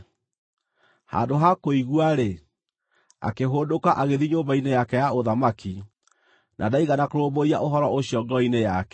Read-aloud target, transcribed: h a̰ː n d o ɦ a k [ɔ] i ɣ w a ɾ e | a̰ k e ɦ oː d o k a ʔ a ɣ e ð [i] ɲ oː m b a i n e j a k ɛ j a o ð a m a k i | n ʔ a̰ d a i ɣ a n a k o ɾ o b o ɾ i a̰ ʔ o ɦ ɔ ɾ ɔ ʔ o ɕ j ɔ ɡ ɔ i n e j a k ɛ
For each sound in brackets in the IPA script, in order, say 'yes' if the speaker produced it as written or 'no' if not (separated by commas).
no, yes